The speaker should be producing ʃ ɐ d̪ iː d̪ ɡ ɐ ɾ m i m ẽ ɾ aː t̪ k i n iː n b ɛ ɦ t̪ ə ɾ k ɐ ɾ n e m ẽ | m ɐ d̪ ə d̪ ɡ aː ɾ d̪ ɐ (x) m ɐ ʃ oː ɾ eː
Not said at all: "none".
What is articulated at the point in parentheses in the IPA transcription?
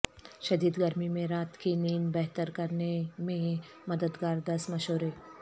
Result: s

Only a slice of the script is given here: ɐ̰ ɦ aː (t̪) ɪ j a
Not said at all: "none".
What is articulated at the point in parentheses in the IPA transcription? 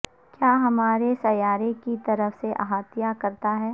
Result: t̪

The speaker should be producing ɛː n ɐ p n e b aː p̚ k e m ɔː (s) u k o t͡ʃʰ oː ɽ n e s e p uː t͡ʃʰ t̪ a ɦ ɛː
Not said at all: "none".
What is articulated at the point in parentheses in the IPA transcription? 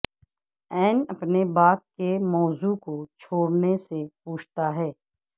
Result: z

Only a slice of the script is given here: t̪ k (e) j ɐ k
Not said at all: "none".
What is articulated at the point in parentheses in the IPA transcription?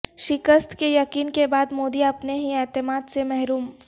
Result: e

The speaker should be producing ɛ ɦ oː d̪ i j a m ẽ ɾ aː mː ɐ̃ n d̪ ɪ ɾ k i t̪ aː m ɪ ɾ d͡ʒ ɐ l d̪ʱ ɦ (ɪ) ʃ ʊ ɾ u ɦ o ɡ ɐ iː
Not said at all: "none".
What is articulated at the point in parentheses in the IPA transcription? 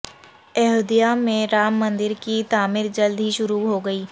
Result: i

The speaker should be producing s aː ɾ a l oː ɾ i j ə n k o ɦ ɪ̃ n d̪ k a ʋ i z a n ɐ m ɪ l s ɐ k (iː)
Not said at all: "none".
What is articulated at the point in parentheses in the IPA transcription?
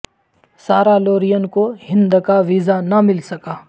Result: aː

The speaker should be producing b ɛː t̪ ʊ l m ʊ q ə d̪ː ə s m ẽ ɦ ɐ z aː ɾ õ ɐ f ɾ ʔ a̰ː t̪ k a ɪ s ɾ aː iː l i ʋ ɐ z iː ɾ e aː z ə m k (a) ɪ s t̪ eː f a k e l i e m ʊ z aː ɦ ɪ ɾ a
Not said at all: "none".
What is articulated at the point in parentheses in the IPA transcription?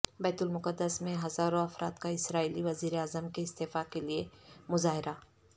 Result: e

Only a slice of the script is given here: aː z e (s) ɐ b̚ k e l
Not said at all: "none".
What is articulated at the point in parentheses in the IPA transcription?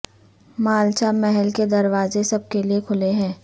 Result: s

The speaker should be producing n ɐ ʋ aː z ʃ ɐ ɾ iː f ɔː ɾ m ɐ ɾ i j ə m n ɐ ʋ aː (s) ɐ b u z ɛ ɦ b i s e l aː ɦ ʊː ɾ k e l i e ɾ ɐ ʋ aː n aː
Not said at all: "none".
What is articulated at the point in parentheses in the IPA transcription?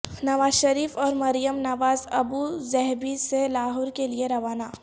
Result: z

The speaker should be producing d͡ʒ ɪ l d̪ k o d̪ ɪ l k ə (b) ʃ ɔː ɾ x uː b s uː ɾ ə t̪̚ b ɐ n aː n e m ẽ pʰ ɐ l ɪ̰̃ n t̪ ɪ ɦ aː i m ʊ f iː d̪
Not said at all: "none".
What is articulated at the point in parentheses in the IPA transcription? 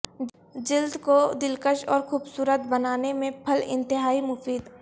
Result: none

